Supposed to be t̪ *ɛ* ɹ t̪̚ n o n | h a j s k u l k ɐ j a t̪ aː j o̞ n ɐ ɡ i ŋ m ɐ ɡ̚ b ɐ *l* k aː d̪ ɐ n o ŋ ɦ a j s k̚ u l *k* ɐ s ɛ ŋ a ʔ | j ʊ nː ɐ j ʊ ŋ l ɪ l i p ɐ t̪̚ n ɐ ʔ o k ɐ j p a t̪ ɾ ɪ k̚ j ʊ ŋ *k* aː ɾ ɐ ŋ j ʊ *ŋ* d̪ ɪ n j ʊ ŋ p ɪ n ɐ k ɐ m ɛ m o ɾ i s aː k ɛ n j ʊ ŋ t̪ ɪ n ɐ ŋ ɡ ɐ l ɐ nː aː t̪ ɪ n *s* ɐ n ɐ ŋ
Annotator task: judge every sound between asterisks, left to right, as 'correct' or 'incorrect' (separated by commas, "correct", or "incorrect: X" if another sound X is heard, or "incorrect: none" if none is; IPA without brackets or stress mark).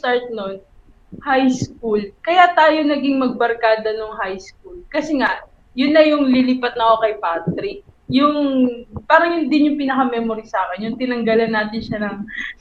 incorrect: a, incorrect: ɾ, correct, incorrect: p, incorrect: n, incorrect: ʃ